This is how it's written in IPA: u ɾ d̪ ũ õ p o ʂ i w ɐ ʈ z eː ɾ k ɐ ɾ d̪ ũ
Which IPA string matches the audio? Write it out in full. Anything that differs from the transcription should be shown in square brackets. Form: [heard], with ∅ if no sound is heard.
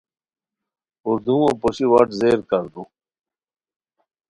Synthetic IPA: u ɾ d̪ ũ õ p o [ɕ] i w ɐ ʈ z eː ɾ k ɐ ɾ d̪ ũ